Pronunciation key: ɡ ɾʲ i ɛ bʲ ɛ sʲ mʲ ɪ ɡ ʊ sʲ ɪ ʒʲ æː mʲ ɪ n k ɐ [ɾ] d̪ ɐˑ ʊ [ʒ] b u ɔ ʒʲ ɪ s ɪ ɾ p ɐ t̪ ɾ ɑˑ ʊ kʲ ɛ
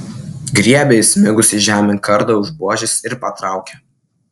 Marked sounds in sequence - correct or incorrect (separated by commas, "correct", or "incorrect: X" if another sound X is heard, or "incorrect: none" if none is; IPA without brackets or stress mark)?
correct, correct